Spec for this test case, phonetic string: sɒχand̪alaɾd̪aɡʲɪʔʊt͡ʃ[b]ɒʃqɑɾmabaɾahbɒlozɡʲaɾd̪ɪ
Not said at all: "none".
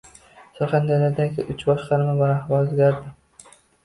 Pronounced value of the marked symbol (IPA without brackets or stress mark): b